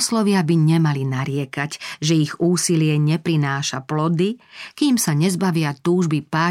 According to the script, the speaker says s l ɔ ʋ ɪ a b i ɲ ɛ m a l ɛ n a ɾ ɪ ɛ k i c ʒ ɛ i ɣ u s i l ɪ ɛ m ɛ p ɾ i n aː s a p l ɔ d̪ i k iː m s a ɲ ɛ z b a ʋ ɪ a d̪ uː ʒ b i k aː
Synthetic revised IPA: s l ɔ ʋ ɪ a b i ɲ ɛ m a l i n a ɾ ɪ ɛ k a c ʒ ɛ i ɣ uː s i l ɪ ɛ ɲ ɛ p ɾ i n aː ʃ a p l ɔ d̪ i k iː m s a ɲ ɛ z b a ʋ ɪ a t̪ uː ʒ b i p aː